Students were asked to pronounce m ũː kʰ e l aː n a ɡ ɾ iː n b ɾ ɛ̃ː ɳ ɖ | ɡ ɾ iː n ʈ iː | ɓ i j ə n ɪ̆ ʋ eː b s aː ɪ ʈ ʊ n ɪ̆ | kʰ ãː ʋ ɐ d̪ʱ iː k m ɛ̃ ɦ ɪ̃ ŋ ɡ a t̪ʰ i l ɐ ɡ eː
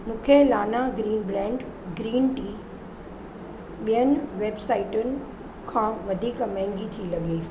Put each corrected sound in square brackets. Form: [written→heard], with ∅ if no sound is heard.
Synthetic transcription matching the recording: m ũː kʰ e l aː n a ɡ ɾ iː n b ɾ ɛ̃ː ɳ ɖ | ɡ ɾ iː n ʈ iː | ɓ i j ə n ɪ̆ ʋ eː b s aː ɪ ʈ ʊ n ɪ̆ | kʰ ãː ʋ ɐ d̪ʱ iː k m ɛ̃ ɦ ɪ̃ ŋ ɡ [a→i] t̪ʰ i l ɐ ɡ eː